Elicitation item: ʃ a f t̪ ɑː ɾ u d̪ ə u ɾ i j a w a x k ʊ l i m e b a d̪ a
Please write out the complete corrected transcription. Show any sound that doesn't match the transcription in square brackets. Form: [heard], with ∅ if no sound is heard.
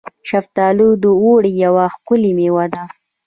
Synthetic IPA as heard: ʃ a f t̪ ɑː [l] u d̪ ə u [ɽ] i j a w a x k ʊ l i m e [w] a d̪ a